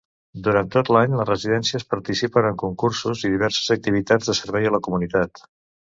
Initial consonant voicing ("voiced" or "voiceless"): voiced